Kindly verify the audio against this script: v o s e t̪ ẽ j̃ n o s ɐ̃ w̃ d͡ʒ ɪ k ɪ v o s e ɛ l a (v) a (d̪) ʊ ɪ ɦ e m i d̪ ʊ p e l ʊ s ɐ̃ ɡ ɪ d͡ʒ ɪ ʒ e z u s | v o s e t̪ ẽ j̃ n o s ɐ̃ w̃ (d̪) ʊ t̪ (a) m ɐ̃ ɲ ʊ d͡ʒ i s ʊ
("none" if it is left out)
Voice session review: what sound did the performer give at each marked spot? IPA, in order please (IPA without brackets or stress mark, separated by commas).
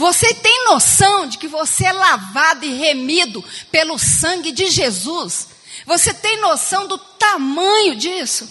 v, d̪, d̪, a